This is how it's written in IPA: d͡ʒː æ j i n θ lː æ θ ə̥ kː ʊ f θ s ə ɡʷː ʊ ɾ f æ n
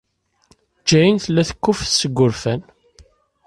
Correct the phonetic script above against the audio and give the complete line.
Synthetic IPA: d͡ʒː æ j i n θ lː æ θ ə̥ kː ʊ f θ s ə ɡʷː ʊ ɾ f æ n

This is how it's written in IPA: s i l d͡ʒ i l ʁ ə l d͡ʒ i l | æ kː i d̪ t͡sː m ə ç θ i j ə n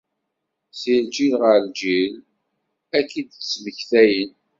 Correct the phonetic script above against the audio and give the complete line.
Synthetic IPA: s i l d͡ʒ i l ʁ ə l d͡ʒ i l | æ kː i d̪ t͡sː m ə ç θ æ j ə n

